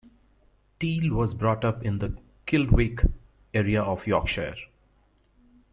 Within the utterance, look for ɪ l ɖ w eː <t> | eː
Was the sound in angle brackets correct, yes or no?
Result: no